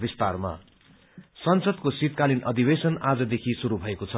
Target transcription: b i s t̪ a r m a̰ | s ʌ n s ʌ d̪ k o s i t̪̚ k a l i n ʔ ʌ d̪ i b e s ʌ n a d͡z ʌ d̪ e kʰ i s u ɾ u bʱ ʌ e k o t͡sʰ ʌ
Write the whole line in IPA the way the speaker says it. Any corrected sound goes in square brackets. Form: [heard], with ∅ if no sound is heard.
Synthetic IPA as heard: b i s t̪ a r m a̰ | s ʌ n s ʌ d̪ k o s i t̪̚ k a l i n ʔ ʌ d̪ i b e s ʌ n a d͡z ʌ d̪ e kʰ i s u ɾ u bʱ ʌ e k o t͡sʰ ʌ